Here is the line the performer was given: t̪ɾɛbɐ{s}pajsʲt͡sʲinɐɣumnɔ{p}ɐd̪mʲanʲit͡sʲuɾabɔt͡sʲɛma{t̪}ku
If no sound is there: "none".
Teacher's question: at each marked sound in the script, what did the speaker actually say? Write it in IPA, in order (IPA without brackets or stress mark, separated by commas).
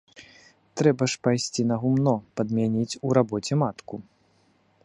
ʂ, p, t̪